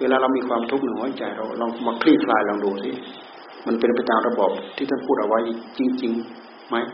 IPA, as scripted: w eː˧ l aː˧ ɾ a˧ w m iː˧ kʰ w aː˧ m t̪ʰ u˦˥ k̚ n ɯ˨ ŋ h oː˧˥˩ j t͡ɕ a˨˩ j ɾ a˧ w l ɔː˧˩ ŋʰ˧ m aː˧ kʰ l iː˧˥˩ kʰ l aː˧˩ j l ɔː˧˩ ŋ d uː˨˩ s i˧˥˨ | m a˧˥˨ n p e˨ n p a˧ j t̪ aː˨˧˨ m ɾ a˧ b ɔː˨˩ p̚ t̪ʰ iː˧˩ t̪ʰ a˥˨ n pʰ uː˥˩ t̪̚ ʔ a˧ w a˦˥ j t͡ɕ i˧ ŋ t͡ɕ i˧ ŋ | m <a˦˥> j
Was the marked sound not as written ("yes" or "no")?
no